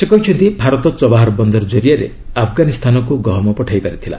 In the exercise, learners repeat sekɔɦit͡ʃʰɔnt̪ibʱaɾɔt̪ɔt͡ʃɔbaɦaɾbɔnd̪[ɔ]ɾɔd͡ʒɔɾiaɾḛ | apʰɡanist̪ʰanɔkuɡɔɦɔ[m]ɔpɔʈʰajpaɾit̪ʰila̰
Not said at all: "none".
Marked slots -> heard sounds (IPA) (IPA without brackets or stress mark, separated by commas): ɔ, m